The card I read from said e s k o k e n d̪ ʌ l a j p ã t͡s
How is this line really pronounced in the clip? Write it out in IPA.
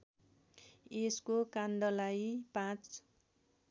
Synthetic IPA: e s k o k a n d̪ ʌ l a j p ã t͡s